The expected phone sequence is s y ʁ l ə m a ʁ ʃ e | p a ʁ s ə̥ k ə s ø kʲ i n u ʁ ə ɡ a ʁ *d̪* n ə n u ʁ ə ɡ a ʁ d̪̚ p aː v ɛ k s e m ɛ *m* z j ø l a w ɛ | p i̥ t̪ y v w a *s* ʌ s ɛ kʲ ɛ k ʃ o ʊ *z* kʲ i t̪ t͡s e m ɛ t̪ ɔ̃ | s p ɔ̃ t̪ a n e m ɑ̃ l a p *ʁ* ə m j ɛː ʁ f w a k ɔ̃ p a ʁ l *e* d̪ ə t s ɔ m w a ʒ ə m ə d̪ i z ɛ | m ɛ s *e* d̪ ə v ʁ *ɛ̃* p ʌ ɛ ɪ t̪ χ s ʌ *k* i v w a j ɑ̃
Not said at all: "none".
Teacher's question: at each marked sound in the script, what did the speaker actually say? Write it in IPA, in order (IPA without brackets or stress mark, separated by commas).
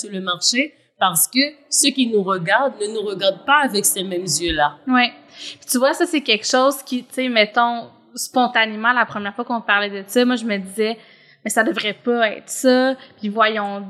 d̪, m, s, z, χ, ɛ, a, ɛ, p